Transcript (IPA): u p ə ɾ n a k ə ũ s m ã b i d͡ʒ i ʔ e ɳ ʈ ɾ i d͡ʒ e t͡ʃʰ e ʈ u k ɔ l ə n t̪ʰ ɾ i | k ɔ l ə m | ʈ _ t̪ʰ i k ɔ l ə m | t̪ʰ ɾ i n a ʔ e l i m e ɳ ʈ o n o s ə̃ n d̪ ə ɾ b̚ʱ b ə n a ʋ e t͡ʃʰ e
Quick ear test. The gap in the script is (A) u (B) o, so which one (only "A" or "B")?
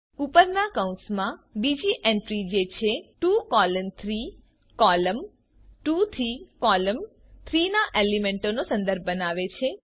A